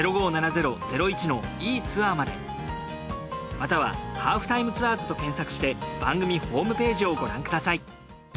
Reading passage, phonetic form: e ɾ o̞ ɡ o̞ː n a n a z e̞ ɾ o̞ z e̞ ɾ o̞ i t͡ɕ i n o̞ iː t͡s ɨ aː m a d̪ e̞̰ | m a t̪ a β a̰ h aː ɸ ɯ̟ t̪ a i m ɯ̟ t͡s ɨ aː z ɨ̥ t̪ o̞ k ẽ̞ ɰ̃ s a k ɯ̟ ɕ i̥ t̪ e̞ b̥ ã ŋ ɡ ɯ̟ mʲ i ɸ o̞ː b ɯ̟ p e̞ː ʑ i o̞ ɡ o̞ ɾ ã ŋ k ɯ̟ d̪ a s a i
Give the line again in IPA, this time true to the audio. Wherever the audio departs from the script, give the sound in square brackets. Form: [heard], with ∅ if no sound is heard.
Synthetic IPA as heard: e ɾ o̞ ɡ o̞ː n a n a z e̞ ɾ o̞ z e̞ ɾ o̞ i t͡ɕ i n o̞ iː t͡s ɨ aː m a d̪ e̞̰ | m a t̪ a β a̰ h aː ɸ ɯ̟ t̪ a i m ɯ̟ t͡s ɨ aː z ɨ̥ t̪ o̞ k ẽ̞ ɰ̃ s a k ɯ̟ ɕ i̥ t̪ e̞ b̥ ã ŋ ɡ ɯ̟ mʲ i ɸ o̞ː [m] ɯ̟ p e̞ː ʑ i o̞ ɡ o̞ ɾ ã ŋ k ɯ̟ d̪ a s a i